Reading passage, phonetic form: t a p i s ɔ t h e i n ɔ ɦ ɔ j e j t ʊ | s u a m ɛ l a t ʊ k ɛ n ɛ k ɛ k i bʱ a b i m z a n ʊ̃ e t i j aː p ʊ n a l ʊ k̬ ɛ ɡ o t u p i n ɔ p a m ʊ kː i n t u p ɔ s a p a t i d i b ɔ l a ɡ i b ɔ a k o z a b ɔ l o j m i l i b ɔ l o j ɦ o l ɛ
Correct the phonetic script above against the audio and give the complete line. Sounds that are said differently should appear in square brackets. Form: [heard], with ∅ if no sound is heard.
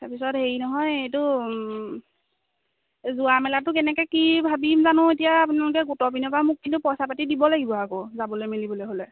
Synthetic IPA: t a p i s ɔ t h e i n ɔ ɦ ɔ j e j t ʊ | [z] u a m ɛ l a t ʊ k ɛ n ɛ k ɛ k i bʱ a b i m z a n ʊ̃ e t i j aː p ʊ n a l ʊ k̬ ɛ ɡ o t [ɔ] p i n ɔ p a m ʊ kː i n t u p ɔ s a p a t i d i b ɔ l a ɡ i b ɔ a k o z a b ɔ l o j m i l i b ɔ l o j ɦ o l ɛ

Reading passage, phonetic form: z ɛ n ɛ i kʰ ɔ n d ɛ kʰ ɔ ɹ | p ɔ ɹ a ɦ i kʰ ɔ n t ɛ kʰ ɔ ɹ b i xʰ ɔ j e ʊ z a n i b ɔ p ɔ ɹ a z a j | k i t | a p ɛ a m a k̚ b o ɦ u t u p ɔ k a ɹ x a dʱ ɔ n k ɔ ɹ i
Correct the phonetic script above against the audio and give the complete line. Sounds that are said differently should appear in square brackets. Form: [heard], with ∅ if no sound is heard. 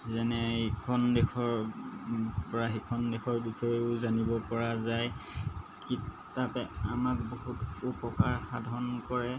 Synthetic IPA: z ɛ n ɛ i kʰ ɔ n d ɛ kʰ ɔ ɹ | p ɔ ɹ a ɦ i kʰ ɔ n [d] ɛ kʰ ɔ ɹ b i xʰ ɔ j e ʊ z a n i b ɔ p ɔ ɹ a z a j | k i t | a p ɛ a m a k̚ b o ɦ u t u p ɔ k a ɹ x a dʱ ɔ n k ɔ ɹ [ɛ]

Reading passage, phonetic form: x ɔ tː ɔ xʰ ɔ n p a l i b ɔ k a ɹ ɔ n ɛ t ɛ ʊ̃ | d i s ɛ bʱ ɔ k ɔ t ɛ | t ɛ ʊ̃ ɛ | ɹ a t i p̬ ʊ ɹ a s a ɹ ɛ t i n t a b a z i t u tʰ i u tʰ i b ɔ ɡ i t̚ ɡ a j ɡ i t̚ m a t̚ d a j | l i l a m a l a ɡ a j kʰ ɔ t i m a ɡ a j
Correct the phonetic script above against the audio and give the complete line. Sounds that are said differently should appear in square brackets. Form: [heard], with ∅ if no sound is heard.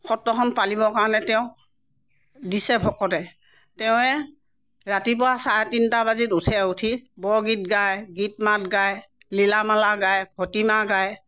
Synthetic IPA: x ɔ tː ɔ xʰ ɔ n p a l i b ɔ k a ɹ ɔ n ɛ t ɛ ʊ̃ | d i s ɛ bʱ ɔ k ɔ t ɛ | t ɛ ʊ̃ ɛ | ɹ a t i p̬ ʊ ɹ a s a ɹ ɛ t i n t a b a z i t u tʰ [ɛ] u tʰ i b ɔ ɡ i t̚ ɡ a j ɡ i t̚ m a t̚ [ɡ] a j | l i l a m a l a ɡ a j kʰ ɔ t i m a ɡ a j

